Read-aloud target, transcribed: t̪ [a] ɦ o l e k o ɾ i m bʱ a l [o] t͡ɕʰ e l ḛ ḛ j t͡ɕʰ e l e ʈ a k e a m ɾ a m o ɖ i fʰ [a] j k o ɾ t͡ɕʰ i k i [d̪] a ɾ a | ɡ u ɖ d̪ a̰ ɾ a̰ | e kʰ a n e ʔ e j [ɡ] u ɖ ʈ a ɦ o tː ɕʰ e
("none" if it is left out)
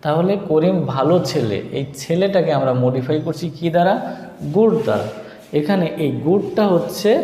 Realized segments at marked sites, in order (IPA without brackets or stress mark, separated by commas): a, o, a, d̪, ɡ